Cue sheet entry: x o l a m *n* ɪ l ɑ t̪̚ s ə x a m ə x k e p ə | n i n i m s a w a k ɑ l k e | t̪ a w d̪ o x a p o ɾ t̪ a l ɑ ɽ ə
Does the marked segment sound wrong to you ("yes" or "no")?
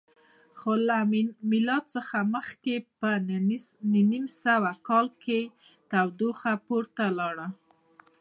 yes